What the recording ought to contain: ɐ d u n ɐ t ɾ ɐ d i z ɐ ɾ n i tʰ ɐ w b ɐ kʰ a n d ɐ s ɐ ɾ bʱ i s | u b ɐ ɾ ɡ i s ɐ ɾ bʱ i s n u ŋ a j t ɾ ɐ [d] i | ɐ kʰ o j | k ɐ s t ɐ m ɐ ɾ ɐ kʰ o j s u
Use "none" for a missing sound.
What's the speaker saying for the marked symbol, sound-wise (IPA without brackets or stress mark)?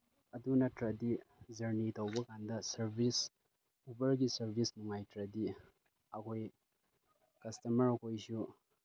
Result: d